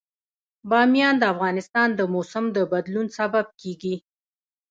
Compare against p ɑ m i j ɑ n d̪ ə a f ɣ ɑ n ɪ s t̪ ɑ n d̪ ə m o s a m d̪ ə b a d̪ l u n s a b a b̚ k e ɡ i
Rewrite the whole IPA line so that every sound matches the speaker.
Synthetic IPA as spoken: b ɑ m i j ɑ n d̪ ə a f ɣ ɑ n ɪ s t̪ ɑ n d̪ ə m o s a m d̪ ə b a d̪ l u n s a b a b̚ k e ɡ i